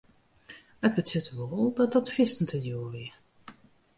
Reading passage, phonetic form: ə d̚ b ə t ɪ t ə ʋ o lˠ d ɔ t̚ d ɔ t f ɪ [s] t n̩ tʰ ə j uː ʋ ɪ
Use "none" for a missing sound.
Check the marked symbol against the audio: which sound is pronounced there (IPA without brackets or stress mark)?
s